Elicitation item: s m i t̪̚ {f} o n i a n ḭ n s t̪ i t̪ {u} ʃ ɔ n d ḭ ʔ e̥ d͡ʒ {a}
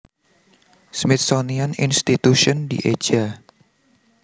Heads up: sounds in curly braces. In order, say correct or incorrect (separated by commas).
incorrect, correct, correct